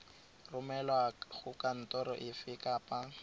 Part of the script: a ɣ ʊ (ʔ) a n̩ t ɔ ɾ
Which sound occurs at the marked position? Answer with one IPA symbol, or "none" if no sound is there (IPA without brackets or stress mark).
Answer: k